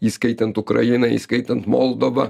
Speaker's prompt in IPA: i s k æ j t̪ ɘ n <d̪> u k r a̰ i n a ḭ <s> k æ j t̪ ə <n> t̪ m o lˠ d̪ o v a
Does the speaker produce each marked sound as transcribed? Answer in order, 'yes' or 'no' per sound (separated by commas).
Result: no, yes, yes